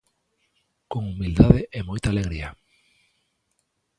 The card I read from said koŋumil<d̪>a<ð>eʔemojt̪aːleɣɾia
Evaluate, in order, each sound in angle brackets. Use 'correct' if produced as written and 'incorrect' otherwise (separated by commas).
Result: correct, correct